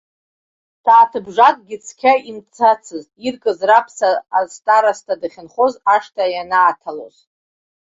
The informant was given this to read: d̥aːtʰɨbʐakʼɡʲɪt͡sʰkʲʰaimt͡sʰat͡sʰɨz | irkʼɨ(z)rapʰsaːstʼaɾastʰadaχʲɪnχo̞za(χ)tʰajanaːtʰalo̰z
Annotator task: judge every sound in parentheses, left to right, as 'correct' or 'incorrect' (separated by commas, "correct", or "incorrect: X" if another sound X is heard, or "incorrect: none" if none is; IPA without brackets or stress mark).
correct, incorrect: ʂ